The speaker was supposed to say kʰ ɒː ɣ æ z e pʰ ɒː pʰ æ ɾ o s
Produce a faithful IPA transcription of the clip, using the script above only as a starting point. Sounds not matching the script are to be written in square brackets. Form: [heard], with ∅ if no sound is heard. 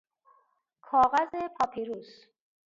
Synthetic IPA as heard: kʰ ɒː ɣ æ z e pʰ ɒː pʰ [i] ɾ [u] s